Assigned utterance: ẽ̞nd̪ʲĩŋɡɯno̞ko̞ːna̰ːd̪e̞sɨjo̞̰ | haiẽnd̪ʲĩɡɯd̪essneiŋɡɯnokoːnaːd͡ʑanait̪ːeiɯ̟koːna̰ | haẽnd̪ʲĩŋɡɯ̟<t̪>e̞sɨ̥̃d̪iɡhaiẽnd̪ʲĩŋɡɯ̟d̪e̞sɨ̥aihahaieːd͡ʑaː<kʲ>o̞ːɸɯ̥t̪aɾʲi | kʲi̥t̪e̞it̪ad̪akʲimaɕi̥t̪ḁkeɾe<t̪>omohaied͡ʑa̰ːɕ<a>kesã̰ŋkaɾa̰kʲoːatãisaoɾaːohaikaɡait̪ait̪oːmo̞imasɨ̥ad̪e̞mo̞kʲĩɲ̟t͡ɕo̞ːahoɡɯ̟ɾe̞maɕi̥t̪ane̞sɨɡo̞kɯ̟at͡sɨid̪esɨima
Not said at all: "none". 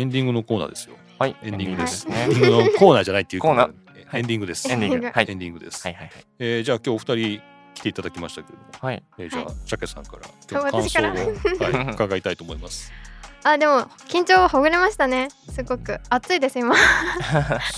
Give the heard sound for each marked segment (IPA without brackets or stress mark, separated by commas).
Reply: d̪, kʲ, d̪, a